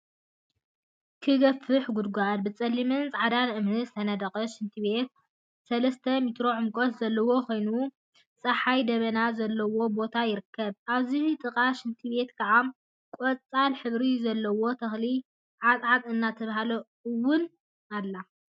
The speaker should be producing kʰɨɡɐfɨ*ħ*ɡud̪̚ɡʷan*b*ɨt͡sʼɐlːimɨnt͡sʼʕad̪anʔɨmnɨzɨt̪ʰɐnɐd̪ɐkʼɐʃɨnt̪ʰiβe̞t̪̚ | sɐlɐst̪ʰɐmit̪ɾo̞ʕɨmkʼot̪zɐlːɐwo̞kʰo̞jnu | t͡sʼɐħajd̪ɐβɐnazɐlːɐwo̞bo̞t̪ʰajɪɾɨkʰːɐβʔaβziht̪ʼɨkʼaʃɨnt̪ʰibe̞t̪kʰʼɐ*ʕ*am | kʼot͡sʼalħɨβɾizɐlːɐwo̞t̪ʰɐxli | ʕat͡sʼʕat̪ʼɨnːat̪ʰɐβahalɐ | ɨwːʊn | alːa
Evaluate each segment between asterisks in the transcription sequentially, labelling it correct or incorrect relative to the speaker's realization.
correct, correct, correct

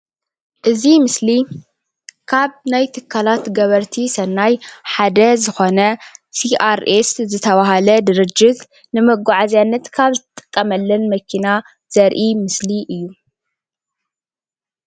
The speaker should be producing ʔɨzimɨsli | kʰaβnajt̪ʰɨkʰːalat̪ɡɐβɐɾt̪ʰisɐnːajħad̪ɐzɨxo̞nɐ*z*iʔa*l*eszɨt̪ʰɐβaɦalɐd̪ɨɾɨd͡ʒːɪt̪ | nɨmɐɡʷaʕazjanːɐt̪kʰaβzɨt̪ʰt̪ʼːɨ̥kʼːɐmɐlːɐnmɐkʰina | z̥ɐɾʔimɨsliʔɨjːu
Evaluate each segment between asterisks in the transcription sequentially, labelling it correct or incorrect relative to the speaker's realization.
incorrect: s, incorrect: ɾ

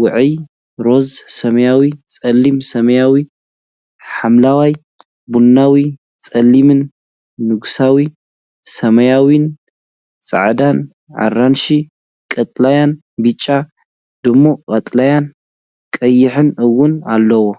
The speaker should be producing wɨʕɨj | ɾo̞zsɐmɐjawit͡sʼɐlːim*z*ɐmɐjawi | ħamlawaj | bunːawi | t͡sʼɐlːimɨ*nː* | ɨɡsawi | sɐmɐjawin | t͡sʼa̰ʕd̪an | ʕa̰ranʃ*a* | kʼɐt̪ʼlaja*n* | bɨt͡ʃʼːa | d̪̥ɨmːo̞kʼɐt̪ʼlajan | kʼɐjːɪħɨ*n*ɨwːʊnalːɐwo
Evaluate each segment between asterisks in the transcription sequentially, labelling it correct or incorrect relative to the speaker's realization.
incorrect: s, correct, incorrect: i, correct, correct

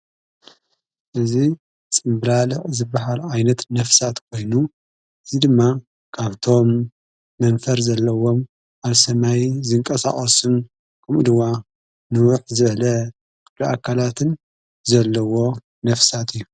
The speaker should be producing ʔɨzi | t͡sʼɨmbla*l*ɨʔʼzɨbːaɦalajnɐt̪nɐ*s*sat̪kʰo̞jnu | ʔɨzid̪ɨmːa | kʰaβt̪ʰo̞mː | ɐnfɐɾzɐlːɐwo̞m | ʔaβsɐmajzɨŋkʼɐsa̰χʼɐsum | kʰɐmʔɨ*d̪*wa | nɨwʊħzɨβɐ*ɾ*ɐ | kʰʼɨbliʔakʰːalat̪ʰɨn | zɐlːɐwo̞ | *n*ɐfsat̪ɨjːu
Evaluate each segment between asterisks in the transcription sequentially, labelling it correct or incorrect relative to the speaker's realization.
correct, incorrect: f, correct, incorrect: l, correct

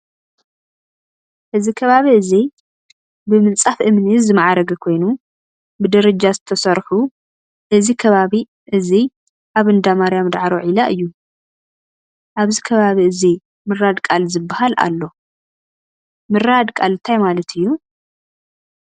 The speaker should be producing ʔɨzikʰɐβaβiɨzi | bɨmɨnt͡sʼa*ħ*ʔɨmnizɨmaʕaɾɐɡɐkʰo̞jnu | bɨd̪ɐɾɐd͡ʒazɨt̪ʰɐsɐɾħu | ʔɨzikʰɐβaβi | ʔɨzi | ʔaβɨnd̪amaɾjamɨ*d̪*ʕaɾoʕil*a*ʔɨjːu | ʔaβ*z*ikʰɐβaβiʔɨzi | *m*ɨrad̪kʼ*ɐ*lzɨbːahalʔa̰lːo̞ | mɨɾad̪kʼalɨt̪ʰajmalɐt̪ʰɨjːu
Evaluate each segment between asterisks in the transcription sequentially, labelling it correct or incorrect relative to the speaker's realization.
incorrect: f, correct, correct, correct, correct, incorrect: a

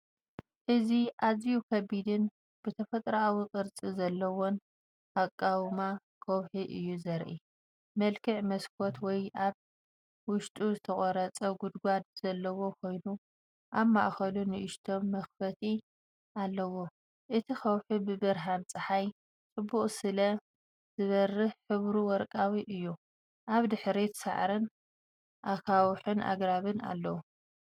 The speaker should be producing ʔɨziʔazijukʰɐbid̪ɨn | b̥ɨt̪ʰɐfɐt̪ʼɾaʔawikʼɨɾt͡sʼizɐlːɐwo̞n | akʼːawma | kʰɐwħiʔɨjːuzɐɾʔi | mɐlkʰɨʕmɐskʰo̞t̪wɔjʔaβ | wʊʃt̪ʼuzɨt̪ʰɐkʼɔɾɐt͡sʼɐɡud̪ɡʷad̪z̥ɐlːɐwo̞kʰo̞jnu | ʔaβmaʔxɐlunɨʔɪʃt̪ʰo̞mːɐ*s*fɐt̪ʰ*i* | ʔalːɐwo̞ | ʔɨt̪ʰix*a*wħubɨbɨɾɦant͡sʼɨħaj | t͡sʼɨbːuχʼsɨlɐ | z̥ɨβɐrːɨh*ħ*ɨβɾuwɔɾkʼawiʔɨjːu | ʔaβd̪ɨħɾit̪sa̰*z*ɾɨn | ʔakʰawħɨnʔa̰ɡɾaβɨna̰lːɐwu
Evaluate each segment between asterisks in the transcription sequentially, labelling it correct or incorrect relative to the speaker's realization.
incorrect: x, correct, incorrect: ɐ, correct, incorrect: ʕ

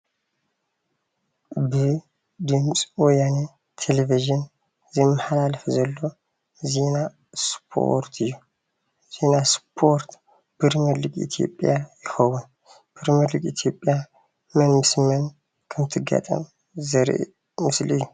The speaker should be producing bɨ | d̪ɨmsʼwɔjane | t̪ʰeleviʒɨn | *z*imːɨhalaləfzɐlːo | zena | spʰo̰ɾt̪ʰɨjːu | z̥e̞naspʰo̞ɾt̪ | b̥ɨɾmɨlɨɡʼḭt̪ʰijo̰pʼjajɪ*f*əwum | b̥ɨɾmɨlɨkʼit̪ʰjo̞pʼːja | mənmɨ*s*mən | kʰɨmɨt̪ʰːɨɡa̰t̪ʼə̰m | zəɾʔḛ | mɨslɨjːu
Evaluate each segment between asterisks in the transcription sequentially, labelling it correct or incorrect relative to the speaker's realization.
correct, incorrect: x, correct

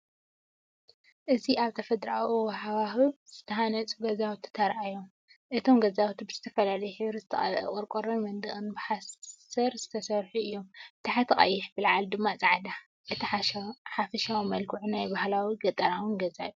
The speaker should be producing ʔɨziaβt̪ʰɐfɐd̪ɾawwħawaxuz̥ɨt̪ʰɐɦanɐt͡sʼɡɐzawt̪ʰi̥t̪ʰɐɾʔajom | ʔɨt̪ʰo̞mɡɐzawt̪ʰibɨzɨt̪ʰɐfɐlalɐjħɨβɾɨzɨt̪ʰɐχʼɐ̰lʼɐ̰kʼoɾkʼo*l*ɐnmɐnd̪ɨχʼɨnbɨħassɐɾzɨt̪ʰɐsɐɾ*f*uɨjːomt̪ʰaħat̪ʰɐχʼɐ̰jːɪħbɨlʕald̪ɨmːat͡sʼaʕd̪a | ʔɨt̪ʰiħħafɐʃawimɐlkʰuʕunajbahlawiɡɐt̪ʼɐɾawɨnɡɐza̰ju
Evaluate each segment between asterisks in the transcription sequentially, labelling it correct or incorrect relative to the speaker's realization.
incorrect: ɾ, incorrect: ħ

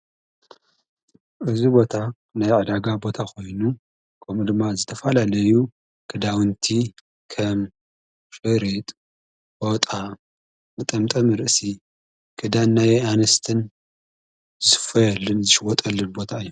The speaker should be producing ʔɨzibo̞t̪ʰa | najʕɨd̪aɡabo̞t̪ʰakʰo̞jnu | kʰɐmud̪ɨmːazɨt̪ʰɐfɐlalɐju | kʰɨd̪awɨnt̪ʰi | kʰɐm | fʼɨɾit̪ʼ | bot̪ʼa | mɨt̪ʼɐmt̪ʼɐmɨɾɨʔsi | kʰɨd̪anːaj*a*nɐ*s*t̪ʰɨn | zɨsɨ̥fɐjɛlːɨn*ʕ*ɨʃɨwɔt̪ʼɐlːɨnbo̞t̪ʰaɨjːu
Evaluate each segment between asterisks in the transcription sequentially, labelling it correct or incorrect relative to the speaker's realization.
correct, correct, incorrect: z

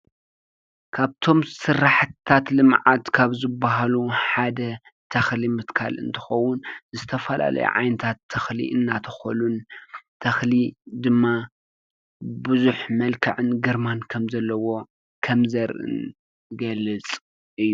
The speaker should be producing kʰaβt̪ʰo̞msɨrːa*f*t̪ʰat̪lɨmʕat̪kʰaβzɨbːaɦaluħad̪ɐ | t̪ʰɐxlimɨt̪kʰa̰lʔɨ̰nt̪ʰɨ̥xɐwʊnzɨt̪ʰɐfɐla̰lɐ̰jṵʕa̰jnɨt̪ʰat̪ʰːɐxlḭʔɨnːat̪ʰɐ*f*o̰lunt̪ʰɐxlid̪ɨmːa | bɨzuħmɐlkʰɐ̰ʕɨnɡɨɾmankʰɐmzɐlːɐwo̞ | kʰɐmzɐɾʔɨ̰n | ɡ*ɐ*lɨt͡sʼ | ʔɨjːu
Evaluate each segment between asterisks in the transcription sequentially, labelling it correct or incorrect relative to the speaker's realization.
incorrect: ħ, incorrect: x, correct

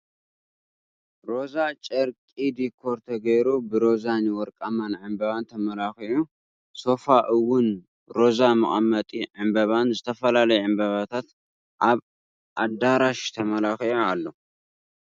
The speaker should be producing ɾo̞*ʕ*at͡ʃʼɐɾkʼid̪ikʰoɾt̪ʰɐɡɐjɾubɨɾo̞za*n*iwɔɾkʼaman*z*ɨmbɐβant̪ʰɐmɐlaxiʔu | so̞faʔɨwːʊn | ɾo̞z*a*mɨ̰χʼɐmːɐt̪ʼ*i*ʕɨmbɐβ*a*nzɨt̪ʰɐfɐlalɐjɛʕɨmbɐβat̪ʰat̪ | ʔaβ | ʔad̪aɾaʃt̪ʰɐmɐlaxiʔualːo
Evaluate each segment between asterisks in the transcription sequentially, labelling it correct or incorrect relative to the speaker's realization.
incorrect: z, correct, incorrect: ʕ, correct, correct, correct

